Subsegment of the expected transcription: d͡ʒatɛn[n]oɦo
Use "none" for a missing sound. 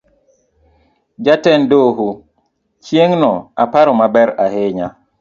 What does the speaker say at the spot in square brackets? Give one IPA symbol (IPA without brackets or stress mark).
d